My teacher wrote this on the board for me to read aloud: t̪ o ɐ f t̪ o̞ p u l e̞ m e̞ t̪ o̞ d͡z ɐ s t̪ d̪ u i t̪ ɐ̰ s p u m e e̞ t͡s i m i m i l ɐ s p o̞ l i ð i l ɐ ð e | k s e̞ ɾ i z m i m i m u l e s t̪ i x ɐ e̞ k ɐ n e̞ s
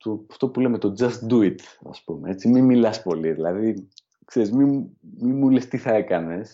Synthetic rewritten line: t̪ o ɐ f t̪ o̞ p u l e̞ m e̞ t̪ o̞ d͡z ɐ s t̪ d̪ u i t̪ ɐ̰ s p u m e e̞ t͡s i m i m i l ɐ s p o̞ l i ð i l ɐ ð i | k s e̞ ɾ i z m i m i m u l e s t̪ i θ ɐ e̞ k ɐ n e̞ s